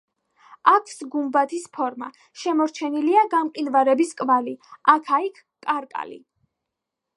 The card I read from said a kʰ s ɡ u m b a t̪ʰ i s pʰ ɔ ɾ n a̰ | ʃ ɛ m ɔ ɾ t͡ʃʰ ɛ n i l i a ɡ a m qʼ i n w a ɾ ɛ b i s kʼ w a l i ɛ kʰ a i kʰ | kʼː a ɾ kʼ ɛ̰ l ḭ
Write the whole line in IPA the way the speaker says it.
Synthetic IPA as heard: a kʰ s ɡ u m b a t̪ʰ i s pʰ ɔ ɾ m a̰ | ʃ ɛ m ɔ ɾ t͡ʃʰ ɛ n i l i a ɡ a m qʼ i n v a ɾ ɛ b i s kʼ v a l i a kʰ a i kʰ | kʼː a ɾ kʼ a̰ l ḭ